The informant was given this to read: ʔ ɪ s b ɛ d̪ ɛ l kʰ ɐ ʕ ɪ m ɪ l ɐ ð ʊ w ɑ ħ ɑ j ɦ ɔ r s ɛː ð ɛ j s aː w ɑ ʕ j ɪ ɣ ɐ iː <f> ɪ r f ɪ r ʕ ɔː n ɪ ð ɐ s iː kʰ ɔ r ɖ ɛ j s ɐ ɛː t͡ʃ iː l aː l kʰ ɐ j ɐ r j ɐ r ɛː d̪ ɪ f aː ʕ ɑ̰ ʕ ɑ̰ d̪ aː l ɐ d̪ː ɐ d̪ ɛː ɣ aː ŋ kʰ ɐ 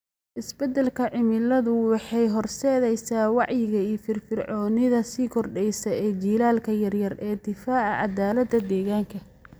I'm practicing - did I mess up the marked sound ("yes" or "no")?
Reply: no